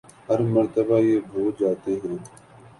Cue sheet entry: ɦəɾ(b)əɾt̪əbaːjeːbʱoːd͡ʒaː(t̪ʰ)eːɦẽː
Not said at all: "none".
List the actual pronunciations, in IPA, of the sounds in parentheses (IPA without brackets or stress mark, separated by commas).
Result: m, t̪